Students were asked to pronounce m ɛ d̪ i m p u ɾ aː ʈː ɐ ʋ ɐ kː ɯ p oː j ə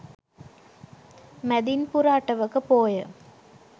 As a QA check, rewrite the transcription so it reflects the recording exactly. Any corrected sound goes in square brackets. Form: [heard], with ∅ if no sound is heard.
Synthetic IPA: m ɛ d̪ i [n] p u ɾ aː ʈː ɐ ʋ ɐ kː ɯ p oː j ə